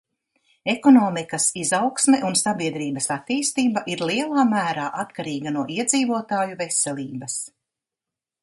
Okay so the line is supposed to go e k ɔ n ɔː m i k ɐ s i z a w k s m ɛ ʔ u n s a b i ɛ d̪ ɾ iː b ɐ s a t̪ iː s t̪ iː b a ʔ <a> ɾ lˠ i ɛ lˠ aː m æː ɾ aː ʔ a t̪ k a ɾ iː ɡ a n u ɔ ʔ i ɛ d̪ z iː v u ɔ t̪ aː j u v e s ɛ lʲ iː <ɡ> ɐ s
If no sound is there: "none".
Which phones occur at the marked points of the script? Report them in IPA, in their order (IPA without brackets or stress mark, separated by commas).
i, b